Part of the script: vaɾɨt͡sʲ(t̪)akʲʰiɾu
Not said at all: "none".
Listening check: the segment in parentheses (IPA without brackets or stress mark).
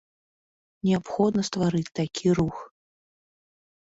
t̪